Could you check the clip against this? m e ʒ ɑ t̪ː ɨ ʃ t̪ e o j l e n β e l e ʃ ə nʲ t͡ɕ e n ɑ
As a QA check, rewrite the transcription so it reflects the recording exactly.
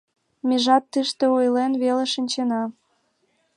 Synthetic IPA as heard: m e ʒ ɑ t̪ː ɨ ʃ t̪ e o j l e n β e l e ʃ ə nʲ t͡ɕ e n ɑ